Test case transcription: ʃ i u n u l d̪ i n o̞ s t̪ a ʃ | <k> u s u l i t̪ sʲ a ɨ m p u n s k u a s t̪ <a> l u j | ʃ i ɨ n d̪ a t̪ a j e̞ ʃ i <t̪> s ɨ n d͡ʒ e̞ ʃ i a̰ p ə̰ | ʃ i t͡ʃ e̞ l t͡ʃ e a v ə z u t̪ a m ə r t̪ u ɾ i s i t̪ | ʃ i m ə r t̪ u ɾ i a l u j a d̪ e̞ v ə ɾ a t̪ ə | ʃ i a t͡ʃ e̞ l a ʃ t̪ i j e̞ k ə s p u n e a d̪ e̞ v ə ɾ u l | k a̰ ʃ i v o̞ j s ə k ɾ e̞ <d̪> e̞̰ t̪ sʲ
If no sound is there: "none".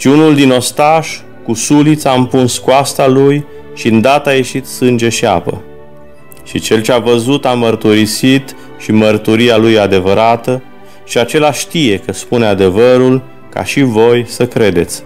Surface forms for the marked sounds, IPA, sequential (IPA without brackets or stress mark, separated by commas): k, a, t̪, d̪